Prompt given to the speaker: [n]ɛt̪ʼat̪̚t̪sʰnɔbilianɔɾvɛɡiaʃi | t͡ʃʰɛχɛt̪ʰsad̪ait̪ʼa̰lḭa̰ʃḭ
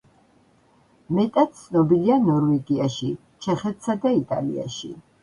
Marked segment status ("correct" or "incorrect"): incorrect